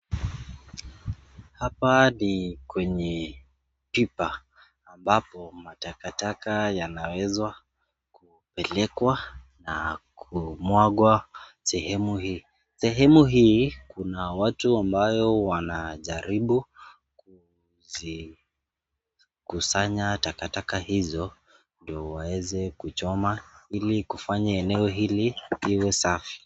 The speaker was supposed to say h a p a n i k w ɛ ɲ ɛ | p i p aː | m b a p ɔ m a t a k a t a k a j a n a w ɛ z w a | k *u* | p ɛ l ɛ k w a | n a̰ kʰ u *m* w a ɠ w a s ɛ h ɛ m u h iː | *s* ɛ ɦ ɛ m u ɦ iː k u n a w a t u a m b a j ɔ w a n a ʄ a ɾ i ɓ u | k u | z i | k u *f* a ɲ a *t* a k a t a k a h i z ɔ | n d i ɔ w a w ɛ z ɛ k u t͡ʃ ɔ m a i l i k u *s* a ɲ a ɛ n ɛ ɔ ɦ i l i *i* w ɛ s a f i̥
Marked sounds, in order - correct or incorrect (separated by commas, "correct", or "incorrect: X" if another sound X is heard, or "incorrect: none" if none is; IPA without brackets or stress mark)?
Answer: correct, correct, correct, incorrect: s, correct, incorrect: f, correct